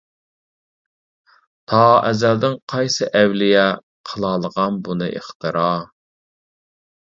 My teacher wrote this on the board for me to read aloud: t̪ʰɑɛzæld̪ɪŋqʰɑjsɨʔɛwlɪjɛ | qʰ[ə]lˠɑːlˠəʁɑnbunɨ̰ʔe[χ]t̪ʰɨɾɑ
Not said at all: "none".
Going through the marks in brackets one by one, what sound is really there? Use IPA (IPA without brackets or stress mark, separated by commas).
ə, χ